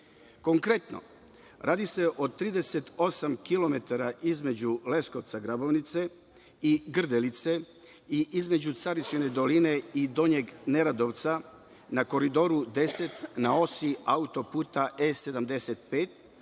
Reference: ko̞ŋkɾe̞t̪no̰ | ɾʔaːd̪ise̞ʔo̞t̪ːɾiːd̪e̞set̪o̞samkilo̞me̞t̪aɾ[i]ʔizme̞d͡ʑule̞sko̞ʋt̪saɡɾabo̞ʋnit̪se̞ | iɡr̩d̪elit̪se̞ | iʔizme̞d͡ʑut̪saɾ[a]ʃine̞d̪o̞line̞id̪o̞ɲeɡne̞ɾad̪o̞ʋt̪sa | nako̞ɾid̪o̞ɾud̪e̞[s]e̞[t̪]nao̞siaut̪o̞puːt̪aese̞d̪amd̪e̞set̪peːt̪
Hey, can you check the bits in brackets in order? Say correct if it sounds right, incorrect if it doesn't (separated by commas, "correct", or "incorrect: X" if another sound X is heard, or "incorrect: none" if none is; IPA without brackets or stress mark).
incorrect: a, incorrect: i, correct, correct